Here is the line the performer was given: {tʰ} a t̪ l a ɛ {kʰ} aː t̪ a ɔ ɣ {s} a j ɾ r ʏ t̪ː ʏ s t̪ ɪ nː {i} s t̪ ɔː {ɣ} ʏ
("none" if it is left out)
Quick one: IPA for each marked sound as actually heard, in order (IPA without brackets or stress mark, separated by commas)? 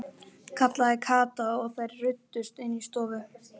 kʰ, kʰ, θ, i, v